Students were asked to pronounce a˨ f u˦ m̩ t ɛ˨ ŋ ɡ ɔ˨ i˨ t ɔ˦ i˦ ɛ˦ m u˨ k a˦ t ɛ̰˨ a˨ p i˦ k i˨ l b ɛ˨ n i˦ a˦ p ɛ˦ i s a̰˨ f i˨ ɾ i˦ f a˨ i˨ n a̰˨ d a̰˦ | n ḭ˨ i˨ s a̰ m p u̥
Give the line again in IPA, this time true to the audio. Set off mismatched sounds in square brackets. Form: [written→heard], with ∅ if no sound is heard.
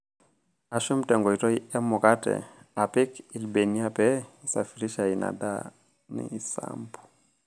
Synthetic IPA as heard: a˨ [f→ʃ] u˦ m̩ t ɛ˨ ŋ ɡ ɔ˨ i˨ t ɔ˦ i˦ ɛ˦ m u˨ k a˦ t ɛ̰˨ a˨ p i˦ k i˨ l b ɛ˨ n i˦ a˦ p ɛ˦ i s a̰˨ f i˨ ɾ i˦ [f→ʃ] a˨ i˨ n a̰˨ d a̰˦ | n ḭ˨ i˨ s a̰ m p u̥

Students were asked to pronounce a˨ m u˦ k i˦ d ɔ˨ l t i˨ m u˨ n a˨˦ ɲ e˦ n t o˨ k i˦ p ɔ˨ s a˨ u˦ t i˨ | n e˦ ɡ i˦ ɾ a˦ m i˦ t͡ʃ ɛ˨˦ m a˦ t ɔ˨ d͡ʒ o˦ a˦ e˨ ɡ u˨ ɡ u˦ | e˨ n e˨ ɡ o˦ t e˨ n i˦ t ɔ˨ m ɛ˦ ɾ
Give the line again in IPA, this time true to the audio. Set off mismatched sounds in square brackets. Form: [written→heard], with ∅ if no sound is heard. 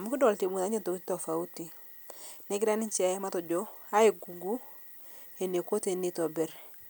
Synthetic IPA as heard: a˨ m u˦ k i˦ d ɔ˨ l t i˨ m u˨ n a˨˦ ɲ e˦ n t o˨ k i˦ [p→t] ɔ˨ [s→f] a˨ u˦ t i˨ | n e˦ ɡ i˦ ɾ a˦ [m→n] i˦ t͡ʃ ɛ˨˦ m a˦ t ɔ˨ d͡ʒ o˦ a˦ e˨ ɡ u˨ ɡ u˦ | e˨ n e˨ [ɡ→k] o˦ t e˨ n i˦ t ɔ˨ [m→b] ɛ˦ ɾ

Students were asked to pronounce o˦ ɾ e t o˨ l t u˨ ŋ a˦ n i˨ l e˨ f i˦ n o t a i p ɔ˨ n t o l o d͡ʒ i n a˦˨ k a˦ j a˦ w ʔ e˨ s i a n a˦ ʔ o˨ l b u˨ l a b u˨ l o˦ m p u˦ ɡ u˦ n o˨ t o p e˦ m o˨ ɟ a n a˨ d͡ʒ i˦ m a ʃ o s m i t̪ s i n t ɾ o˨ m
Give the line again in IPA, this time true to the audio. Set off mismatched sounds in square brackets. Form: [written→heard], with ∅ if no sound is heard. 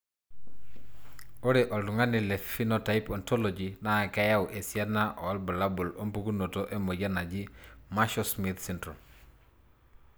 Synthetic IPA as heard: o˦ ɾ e [t→ʔ] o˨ l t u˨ ŋ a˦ n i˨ l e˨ f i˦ n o t a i p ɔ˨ n t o l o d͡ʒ i n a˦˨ k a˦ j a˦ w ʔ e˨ s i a n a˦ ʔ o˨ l b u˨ l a b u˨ l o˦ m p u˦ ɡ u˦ n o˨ t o [p→ʔ] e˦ m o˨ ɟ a n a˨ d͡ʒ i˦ m a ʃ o s m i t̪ s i n t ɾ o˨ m

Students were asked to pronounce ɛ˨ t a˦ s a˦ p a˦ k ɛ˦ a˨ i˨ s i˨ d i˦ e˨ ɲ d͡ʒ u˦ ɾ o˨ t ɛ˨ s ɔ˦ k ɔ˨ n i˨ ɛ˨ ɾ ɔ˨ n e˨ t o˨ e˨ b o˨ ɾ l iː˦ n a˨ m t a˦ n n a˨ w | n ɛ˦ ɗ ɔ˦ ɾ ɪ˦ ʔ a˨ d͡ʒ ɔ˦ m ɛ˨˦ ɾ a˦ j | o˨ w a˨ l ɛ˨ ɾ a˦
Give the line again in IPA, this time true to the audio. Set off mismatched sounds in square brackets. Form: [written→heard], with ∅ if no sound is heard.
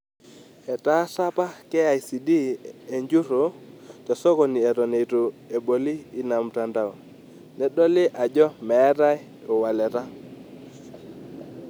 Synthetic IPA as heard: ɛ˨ t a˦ s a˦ p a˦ k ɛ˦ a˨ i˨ s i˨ d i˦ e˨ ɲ d͡ʒ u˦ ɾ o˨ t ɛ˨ s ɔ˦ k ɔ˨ n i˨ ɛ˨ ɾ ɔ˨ n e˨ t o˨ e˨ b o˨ [ɾ→∅] l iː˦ n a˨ m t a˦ n [n→d] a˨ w | n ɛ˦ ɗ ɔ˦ [ɾ→l] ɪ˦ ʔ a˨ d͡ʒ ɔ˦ m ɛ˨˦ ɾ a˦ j | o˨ w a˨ l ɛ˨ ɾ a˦

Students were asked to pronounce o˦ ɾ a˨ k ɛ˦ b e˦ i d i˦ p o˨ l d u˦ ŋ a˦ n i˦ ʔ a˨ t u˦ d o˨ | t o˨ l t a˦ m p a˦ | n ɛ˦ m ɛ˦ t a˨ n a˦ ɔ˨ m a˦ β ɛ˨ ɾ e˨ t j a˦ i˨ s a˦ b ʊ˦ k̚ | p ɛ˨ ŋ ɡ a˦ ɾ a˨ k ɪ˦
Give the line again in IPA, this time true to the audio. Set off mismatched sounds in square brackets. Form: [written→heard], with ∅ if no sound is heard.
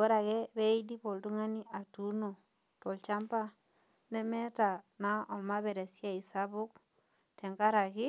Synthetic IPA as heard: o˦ ɾ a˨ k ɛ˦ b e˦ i d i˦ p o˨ l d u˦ ŋ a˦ n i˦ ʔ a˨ t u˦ [d→n] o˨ | t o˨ l [t→t͡ʃ] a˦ m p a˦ | n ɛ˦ m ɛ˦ t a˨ n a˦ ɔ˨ m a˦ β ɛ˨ ɾ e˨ [t→s] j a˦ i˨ s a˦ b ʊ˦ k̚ | [p→t] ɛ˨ ŋ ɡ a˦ ɾ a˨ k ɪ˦

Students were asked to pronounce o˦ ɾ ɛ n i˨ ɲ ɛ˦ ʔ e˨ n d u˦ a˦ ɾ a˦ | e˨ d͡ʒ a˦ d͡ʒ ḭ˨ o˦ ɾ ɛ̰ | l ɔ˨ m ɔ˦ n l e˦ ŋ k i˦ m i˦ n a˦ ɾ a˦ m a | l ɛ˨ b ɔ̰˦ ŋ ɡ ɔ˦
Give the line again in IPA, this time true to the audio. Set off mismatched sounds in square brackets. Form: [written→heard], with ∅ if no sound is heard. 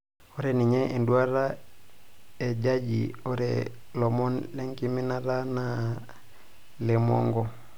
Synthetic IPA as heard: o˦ ɾ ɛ n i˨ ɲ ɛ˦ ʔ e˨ n d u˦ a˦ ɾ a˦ | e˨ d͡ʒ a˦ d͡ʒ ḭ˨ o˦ ɾ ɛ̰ | l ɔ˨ m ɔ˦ n l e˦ ŋ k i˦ m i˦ n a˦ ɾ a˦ [m→n] a | l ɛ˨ [b→m] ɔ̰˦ ŋ ɡ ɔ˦

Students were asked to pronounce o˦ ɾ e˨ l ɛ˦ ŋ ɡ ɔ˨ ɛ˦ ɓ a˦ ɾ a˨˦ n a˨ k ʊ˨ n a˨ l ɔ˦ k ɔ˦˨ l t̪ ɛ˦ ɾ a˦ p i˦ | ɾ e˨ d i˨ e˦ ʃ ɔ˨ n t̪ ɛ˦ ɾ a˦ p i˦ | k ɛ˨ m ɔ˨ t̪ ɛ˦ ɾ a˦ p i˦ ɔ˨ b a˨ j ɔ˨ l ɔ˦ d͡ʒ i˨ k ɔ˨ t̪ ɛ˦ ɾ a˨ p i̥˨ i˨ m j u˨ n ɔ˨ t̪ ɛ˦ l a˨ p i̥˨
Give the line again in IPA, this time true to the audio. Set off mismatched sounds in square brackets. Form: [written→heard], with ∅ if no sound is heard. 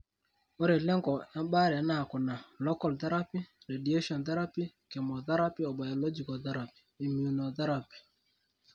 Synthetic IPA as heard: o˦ ɾ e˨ l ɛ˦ ŋ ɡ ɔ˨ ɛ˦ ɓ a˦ ɾ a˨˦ n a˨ k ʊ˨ n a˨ l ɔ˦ k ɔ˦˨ l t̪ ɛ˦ ɾ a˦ p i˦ | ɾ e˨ d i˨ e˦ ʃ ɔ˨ n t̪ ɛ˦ ɾ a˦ p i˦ | k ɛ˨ m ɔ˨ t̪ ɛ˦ ɾ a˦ p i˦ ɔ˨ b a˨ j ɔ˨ l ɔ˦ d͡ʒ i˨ k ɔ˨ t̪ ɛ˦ ɾ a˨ p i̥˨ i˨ m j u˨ n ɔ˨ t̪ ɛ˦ [l→ɾ] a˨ p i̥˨

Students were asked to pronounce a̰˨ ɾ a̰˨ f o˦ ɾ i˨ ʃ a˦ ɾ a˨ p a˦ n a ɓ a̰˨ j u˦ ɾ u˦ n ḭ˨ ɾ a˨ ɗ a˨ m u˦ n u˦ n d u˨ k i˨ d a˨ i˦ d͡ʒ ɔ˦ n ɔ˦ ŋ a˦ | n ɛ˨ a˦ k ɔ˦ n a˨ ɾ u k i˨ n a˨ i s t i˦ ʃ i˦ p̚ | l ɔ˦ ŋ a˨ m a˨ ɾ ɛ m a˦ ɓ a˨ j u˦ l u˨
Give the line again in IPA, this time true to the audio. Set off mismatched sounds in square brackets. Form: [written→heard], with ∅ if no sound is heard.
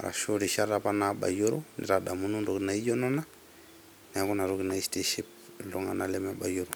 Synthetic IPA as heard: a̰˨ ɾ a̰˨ [f→ʃ] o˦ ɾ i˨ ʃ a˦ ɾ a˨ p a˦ n a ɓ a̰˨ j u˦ ɾ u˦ n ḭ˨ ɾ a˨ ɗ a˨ m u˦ n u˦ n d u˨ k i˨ [d→n] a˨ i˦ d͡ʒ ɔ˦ n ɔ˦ [ŋ→n] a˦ | n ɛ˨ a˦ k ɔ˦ n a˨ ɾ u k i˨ n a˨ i s t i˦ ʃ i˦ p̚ | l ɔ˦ ŋ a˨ [m→n] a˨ [ɾ→l] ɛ m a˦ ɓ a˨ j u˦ [l→ɾ] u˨

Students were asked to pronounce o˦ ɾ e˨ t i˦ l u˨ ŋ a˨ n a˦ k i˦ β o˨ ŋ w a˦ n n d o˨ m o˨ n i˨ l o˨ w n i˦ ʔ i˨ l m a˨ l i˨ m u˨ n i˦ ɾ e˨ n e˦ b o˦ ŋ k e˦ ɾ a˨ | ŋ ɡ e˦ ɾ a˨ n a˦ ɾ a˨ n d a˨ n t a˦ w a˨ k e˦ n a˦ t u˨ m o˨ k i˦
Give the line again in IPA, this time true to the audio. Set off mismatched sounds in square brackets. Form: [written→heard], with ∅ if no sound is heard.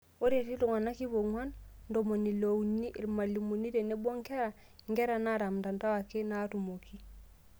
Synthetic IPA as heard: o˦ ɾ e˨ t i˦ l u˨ ŋ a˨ n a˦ k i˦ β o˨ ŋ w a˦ n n d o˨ m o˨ n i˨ l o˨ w n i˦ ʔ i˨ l m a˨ l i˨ m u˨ n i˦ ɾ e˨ n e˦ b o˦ ŋ k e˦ ɾ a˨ | ŋ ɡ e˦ ɾ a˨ n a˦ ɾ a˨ [n→m] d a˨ n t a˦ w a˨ k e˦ n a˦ t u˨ m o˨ k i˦

